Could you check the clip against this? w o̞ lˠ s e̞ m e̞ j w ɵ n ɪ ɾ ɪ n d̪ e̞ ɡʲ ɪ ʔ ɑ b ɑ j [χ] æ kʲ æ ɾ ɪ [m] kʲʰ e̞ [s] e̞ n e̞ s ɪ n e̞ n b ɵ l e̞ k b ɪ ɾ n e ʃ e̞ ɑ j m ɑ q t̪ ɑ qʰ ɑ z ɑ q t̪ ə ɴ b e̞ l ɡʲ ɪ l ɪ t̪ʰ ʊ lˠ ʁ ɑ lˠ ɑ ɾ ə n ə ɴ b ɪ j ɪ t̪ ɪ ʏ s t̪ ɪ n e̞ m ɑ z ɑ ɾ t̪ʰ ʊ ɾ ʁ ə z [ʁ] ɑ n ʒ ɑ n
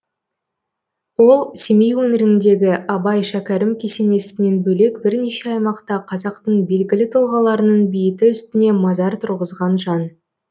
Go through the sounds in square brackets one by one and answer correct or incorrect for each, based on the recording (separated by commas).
incorrect, correct, correct, correct